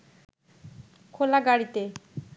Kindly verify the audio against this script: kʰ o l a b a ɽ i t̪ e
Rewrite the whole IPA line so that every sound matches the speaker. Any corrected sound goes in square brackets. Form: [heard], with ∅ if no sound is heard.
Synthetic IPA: kʰ o l a [ɡ] a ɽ i t̪ e

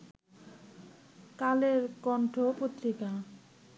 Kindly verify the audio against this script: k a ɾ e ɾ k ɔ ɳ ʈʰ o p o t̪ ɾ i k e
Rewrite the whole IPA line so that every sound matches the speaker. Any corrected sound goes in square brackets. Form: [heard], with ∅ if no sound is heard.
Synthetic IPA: k a [l] e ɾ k ɔ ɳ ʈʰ o p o t̪ ɾ i k [a]

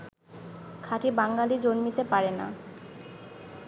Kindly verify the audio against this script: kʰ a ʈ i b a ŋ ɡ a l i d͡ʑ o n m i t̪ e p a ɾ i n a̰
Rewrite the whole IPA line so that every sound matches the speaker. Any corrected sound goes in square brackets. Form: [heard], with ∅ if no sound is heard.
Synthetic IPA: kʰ a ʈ i b a ŋ ɡ a l i d͡ʑ o n m i t̪ e p a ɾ [e] n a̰

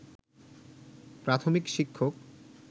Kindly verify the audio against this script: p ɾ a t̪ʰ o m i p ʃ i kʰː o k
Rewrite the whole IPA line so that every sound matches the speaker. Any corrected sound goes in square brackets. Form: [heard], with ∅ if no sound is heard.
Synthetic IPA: p ɾ a t̪ʰ o m i [k] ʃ i kʰː o k

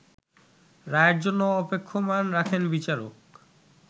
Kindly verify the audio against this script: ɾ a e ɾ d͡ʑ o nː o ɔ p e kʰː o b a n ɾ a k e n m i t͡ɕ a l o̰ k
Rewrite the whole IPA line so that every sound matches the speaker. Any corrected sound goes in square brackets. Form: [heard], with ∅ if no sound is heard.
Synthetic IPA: ɾ a e ɾ d͡ʑ o nː o ɔ p e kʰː o [m] a n ɾ a [kʰ] e n [b] i t͡ɕ a [ɾ] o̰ k

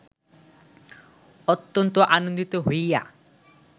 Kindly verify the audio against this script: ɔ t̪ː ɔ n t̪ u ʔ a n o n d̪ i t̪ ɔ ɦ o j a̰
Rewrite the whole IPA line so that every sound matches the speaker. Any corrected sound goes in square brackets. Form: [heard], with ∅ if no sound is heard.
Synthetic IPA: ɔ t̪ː ɔ n t̪ [ɔ] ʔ a n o n d̪ i t̪ ɔ ɦ o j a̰

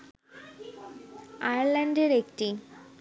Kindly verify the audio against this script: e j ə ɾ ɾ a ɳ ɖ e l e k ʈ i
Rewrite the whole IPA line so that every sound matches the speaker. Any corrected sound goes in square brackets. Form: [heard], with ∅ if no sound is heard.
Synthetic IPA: [a] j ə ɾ [l] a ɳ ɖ e [ɾ] e k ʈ i

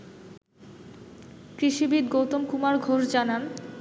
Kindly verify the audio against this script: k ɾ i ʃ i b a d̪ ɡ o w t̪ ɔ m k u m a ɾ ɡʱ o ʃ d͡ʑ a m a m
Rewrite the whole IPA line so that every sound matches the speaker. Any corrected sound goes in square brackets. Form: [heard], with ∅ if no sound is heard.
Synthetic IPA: k ɾ i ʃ i b [i] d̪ ɡ o w t̪ [o] m k u m a ɾ ɡʱ o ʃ d͡ʑ a [n] a [n]

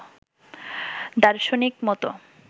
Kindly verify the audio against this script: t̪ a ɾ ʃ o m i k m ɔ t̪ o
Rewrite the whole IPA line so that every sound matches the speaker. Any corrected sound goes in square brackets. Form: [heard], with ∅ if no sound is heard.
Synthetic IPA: [d̪] a ɾ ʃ o [n] i k m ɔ t̪ o

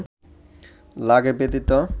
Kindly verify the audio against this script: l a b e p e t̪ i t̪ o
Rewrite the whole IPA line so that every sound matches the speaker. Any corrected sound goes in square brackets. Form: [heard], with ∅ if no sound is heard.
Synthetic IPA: l a [ɡ] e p e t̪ i t̪ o

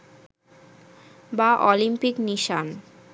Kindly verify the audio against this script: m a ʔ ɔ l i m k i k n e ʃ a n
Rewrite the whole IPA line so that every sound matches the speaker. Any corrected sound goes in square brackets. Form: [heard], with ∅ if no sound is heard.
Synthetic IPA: [b] a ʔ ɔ l i m [p] i k n [i] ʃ a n

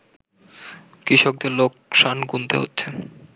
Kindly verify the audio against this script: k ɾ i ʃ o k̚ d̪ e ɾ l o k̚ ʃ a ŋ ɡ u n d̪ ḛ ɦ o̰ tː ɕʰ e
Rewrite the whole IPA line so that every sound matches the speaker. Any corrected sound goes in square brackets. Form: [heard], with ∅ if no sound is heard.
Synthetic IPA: k ɾ i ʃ o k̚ d̪ e ɾ l o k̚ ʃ a [n] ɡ u n [t̪] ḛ ɦ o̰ tː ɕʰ e

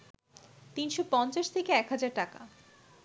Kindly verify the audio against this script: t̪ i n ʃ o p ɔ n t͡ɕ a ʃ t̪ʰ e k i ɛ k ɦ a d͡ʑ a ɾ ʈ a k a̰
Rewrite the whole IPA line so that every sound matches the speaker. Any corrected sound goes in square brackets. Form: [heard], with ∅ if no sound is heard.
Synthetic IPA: t̪ i n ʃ o p ɔ n t͡ɕ a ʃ t̪ʰ e k [e] ɛ k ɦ a d͡ʑ a ɾ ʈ a k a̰

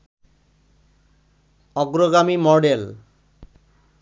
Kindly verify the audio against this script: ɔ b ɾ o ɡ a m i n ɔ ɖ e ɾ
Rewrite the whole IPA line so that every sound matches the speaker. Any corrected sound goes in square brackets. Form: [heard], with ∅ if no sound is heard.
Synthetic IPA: ɔ [ɡ] ɾ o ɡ a m i [m] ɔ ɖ e [l]

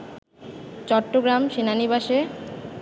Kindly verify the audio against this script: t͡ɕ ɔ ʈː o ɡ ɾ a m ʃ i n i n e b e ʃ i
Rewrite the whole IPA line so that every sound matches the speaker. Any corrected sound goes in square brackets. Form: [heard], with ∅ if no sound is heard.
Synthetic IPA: t͡ɕ ɔ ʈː o ɡ ɾ a m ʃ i n [a] n [i] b [a] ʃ [e]

